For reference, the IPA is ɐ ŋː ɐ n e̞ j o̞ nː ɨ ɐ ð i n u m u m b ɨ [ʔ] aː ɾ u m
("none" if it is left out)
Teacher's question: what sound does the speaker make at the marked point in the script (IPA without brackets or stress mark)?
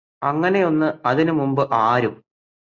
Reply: ʔ